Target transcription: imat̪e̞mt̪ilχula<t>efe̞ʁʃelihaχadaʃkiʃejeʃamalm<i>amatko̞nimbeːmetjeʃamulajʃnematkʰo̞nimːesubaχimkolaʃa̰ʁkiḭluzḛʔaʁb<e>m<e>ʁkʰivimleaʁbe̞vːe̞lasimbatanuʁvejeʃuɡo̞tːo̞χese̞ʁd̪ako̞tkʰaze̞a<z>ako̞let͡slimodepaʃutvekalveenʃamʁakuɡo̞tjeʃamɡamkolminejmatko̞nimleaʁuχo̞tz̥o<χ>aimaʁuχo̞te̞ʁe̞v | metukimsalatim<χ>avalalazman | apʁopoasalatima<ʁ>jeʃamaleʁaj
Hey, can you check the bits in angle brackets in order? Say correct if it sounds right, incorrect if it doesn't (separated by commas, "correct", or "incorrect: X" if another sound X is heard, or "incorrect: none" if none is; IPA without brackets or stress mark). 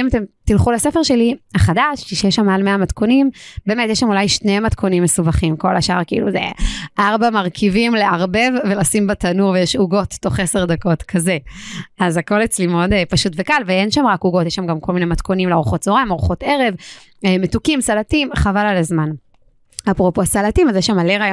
incorrect: s, incorrect: e, incorrect: a, incorrect: a, correct, incorrect: ʁ, correct, incorrect: z